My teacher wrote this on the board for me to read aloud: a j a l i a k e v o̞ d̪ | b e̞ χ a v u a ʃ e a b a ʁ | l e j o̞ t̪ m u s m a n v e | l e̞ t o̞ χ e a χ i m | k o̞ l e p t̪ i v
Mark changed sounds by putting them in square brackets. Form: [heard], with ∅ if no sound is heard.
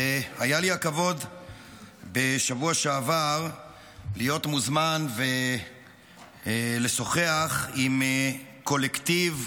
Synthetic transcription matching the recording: a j a l i a k [a] v o̞ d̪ | b e̞ [ʃ] a v u a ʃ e a [v] a ʁ | l [i] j o̞ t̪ m u [z] m a n v e | l e̞ [s] o̞ χ e a χ i m | k o̞ l e [k] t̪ i v